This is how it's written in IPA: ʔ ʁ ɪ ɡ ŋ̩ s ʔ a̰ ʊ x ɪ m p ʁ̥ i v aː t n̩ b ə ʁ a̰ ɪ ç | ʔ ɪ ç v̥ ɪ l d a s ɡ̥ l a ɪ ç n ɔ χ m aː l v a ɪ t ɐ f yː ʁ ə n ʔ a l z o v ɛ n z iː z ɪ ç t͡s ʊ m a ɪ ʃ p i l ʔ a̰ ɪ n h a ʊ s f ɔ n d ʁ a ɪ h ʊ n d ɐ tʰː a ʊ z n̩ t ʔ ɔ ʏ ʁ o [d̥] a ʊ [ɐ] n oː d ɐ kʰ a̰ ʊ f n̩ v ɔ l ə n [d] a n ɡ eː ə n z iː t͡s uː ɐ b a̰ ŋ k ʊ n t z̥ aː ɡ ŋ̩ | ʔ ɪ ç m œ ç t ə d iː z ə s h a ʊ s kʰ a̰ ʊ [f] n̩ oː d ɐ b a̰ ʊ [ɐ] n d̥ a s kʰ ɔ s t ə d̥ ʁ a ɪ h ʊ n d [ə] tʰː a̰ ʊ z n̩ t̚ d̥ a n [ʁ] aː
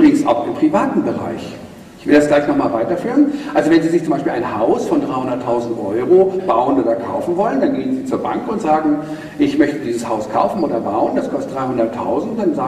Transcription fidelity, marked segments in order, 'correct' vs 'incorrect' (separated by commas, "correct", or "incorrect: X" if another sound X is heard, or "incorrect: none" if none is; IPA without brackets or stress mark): incorrect: b̥, incorrect: ə, correct, correct, incorrect: ə, incorrect: ɐ, incorrect: z